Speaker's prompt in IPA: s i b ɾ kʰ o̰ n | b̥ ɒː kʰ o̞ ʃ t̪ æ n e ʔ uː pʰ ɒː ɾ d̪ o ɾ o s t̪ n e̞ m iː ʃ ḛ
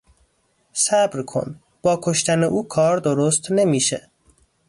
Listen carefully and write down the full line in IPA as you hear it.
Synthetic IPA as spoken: s æ b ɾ kʰ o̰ n | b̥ ɒː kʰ o̞ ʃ t̪ æ n e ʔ uː kʰ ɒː ɾ d̪ o ɾ o s t̪ n e̞ m iː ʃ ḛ